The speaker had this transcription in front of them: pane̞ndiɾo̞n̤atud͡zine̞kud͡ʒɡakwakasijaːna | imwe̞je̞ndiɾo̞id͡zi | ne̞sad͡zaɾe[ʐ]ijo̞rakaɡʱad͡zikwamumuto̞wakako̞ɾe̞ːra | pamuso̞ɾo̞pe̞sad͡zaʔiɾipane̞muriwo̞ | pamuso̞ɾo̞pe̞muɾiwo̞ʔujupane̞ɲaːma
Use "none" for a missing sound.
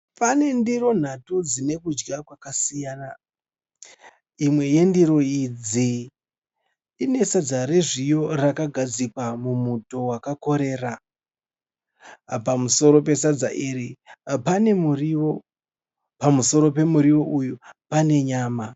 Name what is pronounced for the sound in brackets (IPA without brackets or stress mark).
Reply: ʐ